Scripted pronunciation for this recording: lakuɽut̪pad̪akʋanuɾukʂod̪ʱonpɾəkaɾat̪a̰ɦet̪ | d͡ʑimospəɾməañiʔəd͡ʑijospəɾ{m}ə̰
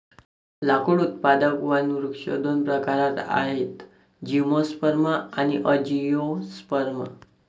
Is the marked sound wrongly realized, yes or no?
no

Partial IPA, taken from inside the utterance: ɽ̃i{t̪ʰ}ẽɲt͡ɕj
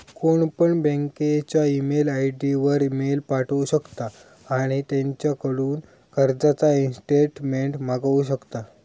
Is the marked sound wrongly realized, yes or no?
yes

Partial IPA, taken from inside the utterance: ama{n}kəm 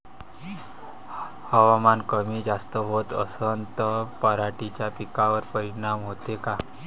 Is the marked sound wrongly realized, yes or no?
no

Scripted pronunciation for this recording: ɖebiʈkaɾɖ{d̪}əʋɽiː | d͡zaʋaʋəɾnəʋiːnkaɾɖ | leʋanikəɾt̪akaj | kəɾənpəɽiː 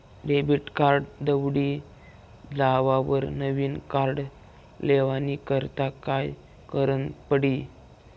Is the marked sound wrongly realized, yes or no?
no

